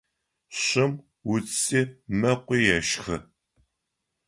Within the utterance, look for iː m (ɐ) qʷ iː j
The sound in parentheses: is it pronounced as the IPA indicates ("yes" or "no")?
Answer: yes